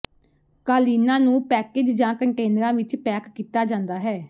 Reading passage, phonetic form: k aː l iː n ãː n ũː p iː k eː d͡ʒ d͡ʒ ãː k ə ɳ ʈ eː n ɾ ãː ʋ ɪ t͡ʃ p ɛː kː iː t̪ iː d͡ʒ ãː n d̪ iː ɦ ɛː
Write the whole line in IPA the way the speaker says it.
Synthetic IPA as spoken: k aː l iː n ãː n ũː p ɛː k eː d͡ʒ d͡ʒ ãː k ə ɳ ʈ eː n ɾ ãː ʋ ɪ t͡ʃ p ɛː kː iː t̪ aː d͡ʒ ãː n d̪ aː ɦ ɛː